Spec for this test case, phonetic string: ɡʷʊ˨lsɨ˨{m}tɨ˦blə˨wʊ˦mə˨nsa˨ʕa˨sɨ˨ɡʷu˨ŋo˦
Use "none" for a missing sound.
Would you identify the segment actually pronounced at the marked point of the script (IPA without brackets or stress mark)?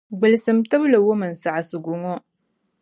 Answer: m